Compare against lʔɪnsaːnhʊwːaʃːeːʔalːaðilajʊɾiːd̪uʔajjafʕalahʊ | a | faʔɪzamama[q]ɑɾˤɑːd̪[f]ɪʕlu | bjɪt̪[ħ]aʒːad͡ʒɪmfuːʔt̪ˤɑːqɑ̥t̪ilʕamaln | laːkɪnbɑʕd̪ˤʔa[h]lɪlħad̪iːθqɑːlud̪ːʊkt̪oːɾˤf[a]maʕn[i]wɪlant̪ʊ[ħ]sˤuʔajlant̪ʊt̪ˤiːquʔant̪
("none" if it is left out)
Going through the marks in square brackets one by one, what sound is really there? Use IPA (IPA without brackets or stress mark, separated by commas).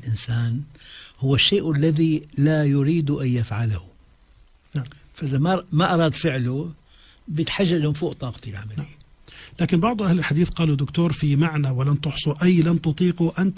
ʔ, f, ħ, h, i, a, ħ